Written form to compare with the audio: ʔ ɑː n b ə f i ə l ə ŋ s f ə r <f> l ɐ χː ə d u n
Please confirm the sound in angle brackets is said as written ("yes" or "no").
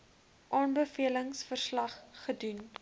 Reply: no